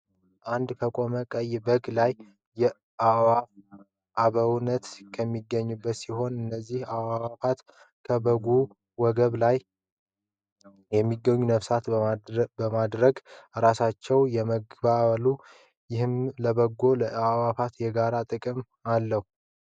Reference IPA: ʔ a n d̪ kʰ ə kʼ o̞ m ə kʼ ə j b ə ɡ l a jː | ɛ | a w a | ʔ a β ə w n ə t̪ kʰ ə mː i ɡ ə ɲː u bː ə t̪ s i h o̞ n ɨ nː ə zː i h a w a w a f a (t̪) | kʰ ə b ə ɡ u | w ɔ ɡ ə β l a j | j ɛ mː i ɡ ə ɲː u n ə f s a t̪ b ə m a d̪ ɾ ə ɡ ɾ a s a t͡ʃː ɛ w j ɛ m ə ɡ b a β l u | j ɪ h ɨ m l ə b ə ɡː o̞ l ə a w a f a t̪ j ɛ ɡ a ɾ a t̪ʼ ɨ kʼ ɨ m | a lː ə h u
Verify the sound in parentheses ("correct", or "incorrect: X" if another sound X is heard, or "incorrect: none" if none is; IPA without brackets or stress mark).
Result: correct